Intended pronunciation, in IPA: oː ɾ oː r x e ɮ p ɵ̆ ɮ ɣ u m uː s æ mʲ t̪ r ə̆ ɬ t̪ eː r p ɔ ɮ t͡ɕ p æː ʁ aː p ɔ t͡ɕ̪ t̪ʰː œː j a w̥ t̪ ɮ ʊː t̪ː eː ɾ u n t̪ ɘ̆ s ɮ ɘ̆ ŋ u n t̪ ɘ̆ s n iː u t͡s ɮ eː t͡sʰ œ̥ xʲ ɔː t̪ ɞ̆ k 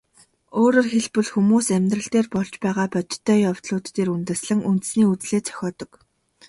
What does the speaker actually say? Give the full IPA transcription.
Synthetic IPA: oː ɾ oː r x e ɮ p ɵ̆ ɮ x u m uː s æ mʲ t̪ r ə̆ ɬ t̪ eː r p ɔ ɮ t͡ɕ p æː ʁ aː p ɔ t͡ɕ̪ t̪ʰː œː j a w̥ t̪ ɮ ʊː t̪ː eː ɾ u n t̪ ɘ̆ s ɮ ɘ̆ ŋ u n t̪ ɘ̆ s n iː u t͡s ɮ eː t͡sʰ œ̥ xʲ ɔː t̪ ɞ̆ k